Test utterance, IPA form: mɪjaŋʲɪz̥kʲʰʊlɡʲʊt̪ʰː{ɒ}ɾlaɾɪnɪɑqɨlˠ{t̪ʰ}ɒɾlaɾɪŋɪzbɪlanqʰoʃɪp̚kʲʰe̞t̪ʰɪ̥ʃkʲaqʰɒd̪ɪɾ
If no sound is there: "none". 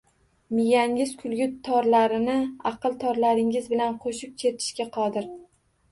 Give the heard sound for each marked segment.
ɒ, t̪ʰ

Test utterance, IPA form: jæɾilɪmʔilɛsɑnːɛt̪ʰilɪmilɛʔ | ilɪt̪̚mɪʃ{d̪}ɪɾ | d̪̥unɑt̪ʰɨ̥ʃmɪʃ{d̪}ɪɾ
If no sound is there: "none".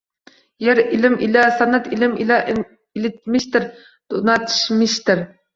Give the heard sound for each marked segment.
t̪, t̪

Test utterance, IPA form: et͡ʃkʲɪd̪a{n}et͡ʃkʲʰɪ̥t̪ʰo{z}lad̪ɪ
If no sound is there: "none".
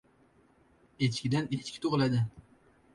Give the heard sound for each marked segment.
n, ʁ

